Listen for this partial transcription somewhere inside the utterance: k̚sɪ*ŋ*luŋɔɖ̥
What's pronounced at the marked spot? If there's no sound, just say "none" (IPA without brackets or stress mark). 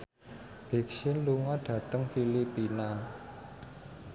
n